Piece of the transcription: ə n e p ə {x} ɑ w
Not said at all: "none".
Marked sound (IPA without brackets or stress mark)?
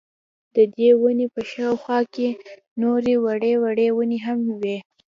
ʃ